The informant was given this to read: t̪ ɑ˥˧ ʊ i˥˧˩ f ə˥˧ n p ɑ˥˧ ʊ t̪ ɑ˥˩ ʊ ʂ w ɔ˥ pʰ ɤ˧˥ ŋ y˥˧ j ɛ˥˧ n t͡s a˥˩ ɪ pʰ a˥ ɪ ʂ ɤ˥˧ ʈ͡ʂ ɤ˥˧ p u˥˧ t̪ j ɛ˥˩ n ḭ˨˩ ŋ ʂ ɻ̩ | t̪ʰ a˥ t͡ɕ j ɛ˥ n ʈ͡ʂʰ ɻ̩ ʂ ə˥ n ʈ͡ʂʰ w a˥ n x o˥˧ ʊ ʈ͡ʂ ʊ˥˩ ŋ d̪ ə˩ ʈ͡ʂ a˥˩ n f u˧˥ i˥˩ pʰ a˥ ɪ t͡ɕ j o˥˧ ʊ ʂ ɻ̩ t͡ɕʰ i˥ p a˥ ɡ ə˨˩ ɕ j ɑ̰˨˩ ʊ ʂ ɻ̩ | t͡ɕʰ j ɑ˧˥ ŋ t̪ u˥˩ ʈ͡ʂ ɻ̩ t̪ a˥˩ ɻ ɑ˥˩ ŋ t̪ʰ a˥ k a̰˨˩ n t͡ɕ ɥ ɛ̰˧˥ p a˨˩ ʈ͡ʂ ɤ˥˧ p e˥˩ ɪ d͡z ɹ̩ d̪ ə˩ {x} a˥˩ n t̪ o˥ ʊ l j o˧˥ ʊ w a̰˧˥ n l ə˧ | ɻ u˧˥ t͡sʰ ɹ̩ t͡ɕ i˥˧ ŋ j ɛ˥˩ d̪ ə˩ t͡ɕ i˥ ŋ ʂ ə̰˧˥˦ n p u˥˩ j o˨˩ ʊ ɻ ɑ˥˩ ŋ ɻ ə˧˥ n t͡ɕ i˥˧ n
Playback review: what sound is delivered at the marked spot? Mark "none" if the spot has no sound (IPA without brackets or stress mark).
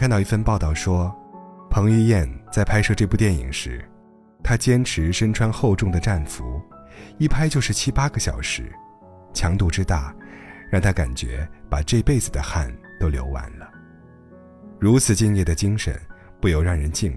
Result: x